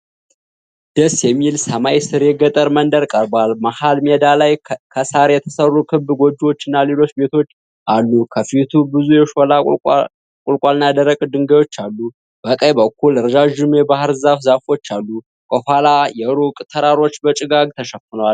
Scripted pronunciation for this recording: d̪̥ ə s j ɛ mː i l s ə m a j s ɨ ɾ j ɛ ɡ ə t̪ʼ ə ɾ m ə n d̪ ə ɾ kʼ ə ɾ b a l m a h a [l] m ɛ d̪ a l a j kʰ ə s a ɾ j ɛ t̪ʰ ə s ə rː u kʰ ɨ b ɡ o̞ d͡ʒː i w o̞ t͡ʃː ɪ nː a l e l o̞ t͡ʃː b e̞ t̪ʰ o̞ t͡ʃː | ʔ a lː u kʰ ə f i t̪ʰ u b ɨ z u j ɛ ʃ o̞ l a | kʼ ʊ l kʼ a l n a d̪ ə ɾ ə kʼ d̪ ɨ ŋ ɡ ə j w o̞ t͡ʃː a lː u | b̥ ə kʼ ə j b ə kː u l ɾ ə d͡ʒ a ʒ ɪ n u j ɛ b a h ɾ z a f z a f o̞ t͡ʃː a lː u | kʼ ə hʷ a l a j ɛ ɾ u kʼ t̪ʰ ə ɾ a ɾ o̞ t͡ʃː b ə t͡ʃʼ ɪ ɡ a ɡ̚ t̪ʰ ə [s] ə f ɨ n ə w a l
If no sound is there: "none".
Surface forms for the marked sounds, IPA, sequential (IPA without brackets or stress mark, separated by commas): l, ʃ